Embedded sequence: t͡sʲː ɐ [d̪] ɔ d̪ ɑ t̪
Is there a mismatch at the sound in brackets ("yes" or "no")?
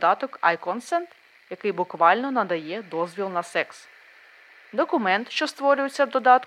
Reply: no